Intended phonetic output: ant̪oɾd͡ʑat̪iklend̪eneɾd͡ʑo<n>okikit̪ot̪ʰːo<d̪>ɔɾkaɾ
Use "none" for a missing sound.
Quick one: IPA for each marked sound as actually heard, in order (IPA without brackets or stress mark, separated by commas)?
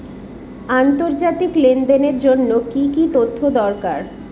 nː, d̪